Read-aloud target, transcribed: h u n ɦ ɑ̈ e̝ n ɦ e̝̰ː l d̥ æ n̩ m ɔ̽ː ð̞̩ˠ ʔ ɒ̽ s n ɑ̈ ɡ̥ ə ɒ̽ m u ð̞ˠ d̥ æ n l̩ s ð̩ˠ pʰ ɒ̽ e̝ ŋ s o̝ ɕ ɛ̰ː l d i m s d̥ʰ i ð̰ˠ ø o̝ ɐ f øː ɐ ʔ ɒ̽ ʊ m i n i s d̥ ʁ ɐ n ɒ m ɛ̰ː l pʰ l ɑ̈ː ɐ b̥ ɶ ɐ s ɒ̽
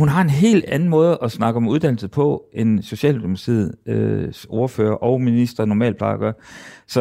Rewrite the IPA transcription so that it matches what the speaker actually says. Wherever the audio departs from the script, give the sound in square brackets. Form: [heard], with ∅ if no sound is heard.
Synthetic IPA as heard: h u n ɦ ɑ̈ e̝ n ɦ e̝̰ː l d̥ æ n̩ m ɔ̽ː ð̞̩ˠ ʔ ɒ̽ s n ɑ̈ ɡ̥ ə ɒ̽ m u ð̞ˠ d̥ æ n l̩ s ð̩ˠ pʰ ɒ̽ e̝ [n] s o̝ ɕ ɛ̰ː l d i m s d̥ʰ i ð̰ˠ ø o̝ ɐ f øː ɐ ʔ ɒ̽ ʊ m i n i s d̥ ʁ ɐ n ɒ m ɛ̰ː l pʰ l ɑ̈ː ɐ [ɡ̥] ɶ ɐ s ɒ̽